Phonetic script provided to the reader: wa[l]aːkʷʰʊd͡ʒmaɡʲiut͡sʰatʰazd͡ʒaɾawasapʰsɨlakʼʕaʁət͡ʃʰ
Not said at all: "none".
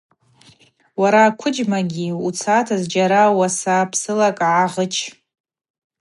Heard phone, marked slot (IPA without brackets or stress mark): ɾ